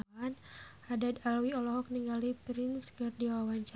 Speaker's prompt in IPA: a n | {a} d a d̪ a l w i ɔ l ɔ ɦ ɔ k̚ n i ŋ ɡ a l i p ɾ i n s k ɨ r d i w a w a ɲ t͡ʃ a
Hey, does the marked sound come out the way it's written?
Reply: yes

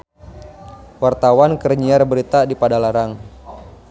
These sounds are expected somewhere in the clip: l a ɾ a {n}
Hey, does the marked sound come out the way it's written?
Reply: no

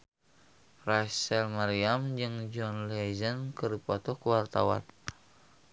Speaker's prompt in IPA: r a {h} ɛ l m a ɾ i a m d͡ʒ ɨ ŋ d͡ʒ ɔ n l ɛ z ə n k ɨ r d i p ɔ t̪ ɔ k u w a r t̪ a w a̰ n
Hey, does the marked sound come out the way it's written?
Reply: no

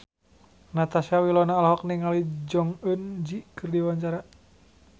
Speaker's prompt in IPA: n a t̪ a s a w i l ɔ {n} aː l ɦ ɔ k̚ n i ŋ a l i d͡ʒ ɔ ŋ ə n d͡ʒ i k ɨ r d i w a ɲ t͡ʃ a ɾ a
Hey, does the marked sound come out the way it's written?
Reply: yes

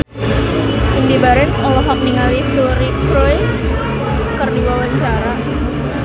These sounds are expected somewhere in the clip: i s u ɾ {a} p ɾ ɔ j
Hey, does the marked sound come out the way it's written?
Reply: no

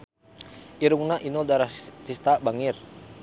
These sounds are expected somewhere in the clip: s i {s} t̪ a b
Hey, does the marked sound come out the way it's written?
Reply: yes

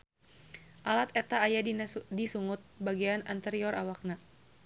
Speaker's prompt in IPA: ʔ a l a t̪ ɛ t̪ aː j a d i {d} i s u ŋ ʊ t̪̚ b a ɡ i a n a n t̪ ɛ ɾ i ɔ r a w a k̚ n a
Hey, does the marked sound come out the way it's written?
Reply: yes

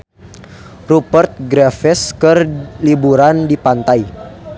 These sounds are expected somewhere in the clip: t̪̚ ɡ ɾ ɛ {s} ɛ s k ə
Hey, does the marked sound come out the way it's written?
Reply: no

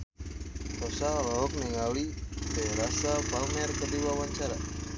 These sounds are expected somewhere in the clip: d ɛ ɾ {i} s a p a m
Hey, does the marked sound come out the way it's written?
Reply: no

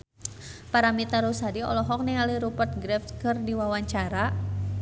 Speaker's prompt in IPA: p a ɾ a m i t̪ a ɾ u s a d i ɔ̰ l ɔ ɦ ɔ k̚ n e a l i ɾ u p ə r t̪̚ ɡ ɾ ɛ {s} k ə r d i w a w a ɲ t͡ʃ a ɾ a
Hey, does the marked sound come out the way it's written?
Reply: no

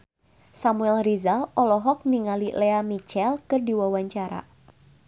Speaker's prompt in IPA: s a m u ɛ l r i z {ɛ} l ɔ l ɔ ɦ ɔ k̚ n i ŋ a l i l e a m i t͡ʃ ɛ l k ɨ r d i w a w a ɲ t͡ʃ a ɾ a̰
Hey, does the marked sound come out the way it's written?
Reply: no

